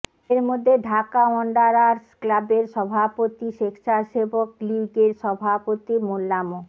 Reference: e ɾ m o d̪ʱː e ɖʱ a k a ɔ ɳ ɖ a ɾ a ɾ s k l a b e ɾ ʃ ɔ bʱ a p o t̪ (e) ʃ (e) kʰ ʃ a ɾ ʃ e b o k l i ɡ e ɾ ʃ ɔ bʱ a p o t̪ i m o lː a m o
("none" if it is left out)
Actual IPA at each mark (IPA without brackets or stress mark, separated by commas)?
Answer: i, e